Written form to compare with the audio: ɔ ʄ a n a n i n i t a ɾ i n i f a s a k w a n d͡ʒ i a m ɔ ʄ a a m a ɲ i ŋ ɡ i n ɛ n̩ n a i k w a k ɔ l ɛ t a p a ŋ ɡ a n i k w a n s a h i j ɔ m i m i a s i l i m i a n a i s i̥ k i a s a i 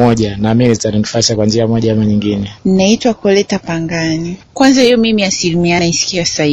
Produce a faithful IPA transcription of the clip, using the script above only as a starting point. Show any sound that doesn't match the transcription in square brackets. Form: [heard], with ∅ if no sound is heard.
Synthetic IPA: ɔ ʄ a n a [m] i n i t a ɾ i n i f a s a k w a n d͡ʒ i a m ɔ ʄ a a m a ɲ i ŋ ɡ i n ɛ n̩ n a i [t] w a k ɔ l ɛ t a p a ŋ ɡ a n i k w a n [z] a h i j ɔ m i m i a s i l i m i a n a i s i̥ k i a s a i